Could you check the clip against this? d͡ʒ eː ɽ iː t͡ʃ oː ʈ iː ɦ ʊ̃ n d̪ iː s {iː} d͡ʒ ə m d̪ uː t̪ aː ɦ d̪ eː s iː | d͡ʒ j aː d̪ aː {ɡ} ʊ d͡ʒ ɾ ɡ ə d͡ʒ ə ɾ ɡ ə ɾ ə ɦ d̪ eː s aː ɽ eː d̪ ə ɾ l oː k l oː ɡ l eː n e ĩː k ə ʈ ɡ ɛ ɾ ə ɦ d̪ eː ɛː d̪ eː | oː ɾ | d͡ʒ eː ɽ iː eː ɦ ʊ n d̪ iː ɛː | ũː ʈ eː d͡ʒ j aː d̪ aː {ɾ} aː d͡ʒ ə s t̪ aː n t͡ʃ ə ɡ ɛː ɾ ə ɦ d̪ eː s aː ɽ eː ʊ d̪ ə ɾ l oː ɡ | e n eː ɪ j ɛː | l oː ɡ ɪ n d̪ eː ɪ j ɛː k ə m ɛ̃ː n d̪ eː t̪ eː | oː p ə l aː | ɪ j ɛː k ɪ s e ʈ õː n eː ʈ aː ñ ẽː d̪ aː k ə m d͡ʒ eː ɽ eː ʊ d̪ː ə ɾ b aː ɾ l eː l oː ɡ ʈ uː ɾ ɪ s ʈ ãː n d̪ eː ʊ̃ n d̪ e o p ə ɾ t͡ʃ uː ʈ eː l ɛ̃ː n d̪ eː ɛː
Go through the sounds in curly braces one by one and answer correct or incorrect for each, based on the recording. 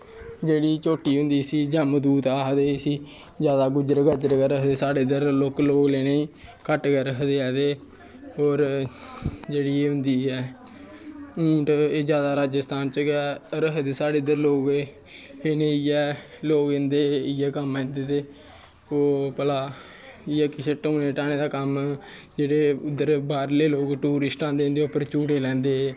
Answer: correct, correct, correct

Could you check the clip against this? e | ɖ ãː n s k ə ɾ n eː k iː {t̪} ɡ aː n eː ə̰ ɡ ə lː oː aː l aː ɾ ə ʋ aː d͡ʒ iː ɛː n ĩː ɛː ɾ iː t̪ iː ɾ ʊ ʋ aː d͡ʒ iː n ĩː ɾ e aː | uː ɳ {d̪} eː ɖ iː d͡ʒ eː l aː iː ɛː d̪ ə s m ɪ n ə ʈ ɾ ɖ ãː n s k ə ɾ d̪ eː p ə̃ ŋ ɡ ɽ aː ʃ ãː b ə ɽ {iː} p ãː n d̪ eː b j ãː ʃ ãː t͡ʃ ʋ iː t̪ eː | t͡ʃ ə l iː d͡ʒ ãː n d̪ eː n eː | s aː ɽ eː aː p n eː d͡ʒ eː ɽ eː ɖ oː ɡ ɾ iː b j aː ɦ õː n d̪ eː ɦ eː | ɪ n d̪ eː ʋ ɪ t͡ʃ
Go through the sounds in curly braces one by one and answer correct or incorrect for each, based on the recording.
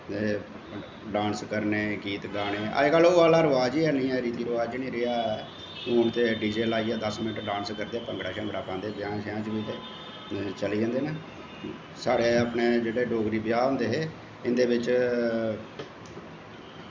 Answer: correct, incorrect, incorrect

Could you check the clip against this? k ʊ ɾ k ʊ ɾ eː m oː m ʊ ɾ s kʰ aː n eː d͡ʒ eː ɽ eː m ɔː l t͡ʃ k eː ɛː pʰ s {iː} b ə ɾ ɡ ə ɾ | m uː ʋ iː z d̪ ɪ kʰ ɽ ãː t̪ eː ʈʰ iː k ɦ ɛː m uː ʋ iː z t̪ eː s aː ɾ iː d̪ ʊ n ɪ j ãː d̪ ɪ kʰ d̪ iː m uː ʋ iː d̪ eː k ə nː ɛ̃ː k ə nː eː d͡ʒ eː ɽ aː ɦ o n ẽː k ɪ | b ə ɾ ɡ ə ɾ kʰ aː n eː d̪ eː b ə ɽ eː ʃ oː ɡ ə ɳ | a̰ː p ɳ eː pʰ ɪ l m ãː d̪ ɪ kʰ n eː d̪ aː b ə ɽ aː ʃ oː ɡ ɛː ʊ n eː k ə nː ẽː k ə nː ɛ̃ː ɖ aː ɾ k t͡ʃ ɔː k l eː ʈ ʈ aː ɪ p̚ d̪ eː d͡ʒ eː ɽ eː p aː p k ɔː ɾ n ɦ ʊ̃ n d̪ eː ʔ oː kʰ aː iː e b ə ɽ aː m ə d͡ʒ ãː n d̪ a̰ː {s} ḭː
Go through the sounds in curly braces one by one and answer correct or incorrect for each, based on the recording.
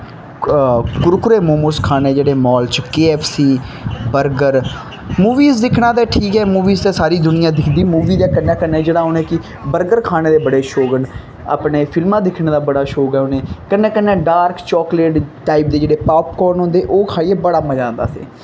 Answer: correct, correct

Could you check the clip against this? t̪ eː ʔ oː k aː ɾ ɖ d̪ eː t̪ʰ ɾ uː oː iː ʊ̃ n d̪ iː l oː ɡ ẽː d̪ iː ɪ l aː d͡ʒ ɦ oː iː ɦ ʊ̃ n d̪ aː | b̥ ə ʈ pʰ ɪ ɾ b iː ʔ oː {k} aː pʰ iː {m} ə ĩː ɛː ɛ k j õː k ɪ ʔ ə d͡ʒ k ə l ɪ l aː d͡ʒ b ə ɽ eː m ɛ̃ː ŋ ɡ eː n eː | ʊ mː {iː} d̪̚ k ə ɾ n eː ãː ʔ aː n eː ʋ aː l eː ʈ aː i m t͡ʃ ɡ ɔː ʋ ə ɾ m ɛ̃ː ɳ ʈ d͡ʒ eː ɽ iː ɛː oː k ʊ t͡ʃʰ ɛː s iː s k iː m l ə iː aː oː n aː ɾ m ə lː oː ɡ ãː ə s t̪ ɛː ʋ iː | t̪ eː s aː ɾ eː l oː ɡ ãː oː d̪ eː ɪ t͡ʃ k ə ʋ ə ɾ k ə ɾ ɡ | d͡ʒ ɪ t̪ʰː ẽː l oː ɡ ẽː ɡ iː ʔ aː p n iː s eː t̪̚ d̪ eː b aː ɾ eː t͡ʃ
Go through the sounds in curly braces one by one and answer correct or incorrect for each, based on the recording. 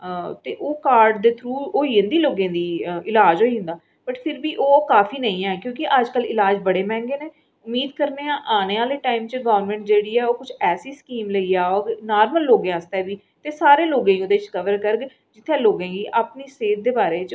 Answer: correct, incorrect, correct

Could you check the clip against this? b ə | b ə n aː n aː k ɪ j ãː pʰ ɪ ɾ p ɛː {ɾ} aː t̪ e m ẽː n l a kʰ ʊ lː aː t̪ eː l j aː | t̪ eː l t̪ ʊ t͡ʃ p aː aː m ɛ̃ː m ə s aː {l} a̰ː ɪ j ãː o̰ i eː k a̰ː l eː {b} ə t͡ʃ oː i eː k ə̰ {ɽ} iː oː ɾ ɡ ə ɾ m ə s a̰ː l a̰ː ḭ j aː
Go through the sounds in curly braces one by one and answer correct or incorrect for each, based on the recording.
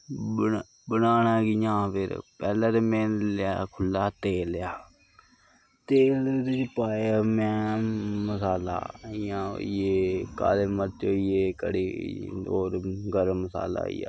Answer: incorrect, correct, incorrect, correct

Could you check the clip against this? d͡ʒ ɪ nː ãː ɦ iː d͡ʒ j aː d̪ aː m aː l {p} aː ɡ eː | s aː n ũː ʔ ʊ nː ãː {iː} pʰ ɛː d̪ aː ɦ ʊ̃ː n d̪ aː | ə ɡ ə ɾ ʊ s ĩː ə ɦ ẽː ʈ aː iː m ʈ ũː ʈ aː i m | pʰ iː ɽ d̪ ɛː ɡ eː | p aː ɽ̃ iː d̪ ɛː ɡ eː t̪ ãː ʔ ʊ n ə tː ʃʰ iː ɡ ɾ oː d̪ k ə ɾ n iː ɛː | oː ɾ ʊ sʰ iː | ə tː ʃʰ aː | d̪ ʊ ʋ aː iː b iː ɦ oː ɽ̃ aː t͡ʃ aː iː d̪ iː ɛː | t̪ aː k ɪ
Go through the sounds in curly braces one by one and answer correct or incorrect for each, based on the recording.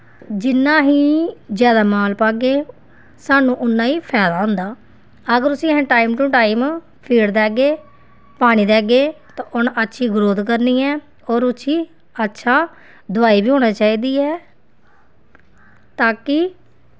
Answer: correct, correct

